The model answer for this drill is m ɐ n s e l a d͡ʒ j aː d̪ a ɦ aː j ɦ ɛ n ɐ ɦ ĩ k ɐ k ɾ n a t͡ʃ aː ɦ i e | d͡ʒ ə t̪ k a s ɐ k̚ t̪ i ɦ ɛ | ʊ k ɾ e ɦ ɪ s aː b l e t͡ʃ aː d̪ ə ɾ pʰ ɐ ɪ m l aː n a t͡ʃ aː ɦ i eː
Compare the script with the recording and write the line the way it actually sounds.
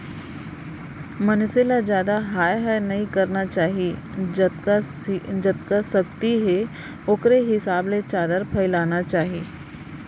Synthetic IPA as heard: m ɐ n s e l a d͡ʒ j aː d̪ a ɦ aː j ɦ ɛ n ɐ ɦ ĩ k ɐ ɾ n a t͡ʃ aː ɦ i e | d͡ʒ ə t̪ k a s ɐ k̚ t̪ i ɦ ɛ | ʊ k ɾ e ɦ ɪ s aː b l e t͡ʃ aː d̪ ə ɾ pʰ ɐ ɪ l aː n a t͡ʃ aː ɦ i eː